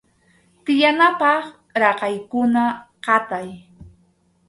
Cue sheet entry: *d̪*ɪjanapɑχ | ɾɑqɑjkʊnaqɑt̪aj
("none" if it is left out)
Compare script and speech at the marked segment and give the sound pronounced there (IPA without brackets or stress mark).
t̪